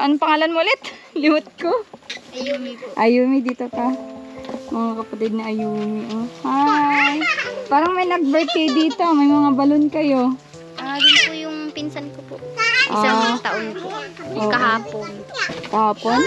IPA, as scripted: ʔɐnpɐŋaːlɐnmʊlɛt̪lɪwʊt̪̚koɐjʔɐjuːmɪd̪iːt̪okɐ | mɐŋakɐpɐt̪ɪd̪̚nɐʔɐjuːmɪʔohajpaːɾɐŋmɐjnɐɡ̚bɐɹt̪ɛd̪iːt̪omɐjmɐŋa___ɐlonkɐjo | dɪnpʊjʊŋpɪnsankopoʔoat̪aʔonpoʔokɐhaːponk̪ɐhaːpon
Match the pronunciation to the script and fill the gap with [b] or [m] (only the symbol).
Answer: b